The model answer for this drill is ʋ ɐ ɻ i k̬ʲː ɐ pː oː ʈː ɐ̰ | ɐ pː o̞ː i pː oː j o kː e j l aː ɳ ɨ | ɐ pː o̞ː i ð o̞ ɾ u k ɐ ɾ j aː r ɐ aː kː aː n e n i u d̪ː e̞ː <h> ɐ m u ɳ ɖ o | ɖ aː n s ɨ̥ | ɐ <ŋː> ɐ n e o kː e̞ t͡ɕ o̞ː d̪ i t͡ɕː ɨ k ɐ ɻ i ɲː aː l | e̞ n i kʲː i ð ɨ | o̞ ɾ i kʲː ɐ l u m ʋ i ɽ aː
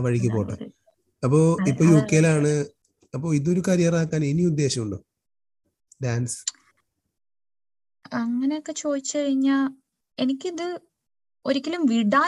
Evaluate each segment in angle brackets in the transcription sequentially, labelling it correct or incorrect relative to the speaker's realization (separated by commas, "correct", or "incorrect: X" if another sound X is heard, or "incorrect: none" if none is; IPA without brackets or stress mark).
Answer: incorrect: ɕ, correct